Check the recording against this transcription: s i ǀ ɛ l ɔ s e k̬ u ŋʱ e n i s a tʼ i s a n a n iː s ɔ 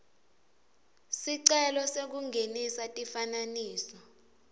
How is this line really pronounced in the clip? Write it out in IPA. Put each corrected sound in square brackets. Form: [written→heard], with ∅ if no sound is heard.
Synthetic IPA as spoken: s i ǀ ɛ l ɔ s e k̬ u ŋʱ e n i s a tʼ i [s→f] a n a n iː s ɔ